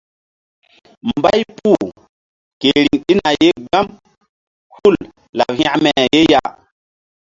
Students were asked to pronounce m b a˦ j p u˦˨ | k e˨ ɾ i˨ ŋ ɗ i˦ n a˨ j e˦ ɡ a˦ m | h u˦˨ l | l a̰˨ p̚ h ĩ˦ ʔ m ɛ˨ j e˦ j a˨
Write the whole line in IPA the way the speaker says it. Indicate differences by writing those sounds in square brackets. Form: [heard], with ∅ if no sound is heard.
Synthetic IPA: m b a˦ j p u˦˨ | k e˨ ɾ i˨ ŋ ɗ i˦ n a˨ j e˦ ɡ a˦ m | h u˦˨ l | l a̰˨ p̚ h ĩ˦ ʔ m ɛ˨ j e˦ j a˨